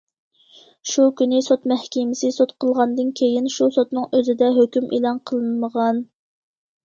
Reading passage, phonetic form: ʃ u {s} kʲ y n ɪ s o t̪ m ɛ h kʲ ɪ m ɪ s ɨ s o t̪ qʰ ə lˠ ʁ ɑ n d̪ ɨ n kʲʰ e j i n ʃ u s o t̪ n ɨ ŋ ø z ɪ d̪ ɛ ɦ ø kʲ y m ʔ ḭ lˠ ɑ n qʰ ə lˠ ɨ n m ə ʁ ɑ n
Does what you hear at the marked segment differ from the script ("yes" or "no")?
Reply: yes